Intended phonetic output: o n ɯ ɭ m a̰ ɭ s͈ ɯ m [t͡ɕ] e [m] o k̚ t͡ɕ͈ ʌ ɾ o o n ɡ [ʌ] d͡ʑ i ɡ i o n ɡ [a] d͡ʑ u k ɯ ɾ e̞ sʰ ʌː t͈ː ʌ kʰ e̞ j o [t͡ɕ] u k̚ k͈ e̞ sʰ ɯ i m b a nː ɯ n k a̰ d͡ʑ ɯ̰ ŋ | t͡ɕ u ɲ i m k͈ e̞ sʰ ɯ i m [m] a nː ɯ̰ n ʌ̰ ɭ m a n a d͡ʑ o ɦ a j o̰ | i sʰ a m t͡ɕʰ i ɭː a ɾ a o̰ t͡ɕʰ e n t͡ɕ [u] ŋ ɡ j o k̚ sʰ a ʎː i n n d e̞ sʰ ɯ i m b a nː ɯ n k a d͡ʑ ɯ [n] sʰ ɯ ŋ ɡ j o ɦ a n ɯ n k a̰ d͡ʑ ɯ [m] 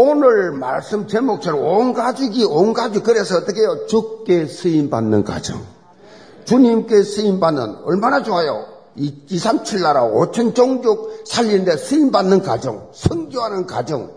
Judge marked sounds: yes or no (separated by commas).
yes, yes, no, yes, yes, no, no, no, no